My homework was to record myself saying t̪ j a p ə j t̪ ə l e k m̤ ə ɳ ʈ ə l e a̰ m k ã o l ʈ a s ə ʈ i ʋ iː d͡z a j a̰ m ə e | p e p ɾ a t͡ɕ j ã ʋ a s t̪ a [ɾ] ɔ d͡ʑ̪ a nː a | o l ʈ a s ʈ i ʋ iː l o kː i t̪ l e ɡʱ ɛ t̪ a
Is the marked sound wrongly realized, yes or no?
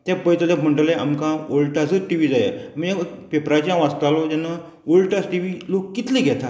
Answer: yes